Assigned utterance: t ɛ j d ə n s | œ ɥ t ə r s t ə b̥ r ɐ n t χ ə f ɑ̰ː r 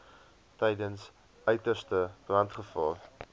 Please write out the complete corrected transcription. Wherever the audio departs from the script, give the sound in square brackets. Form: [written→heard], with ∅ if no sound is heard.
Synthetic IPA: t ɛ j d ə n s | œ ɥ t ə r s t ə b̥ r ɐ n t χ ə f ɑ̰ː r